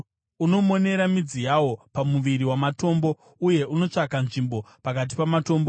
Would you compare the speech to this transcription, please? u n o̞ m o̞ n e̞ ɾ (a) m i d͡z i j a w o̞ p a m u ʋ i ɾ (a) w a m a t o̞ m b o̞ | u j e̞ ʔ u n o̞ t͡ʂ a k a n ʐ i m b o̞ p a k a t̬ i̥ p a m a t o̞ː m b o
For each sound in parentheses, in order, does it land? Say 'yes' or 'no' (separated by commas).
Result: yes, no